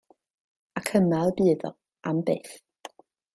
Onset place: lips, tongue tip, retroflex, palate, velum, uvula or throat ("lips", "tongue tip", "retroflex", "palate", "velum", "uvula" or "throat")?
velum